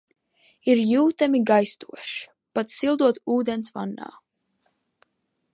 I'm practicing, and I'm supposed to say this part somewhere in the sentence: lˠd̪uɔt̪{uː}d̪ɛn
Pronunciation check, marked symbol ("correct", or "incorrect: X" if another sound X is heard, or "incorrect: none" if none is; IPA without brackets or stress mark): correct